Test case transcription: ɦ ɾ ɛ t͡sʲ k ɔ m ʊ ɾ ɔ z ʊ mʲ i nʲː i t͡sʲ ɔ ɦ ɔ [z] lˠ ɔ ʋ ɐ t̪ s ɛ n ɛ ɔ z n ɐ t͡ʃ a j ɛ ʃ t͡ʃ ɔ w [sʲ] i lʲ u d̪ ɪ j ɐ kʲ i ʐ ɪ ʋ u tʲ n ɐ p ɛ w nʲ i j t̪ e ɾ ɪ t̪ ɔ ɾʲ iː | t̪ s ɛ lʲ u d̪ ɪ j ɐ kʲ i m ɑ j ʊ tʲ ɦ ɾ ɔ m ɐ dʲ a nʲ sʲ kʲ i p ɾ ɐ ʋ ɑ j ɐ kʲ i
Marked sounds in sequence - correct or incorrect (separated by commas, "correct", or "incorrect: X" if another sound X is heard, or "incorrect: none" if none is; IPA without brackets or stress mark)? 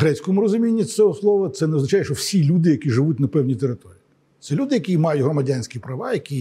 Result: incorrect: s, correct